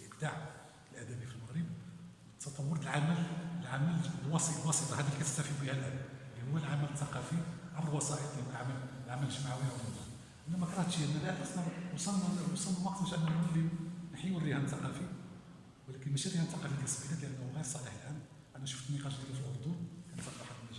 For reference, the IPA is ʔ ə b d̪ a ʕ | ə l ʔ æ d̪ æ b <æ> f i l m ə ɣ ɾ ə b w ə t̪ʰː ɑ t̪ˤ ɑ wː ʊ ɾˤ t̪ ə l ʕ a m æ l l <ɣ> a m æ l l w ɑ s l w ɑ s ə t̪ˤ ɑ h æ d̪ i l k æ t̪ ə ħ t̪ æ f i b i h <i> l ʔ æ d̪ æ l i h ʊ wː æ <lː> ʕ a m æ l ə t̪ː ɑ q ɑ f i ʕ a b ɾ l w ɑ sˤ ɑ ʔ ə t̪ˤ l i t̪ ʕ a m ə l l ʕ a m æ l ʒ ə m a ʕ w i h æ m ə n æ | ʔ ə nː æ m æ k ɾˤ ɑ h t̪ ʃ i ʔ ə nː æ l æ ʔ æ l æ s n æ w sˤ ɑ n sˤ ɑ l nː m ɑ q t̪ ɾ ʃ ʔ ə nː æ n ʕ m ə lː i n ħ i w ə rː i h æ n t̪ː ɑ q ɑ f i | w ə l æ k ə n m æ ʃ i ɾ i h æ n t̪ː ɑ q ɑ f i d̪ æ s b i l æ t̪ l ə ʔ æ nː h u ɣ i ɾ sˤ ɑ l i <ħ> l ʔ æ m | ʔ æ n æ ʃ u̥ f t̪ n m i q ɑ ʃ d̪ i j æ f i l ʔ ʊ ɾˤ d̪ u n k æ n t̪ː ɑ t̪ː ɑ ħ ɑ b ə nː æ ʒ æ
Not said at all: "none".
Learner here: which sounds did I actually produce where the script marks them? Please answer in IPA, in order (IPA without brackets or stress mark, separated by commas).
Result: i, ʕ, æ, l, ħ